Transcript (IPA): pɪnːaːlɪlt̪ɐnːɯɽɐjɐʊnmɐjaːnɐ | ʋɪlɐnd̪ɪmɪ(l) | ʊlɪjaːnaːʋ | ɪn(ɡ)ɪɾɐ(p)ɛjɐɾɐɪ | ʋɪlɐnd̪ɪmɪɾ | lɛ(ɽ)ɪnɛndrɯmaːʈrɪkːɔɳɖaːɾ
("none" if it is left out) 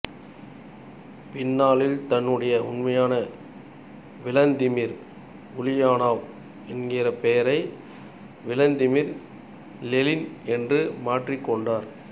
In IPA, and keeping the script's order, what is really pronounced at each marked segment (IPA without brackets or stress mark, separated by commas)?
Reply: ɾ, ɡ, p, l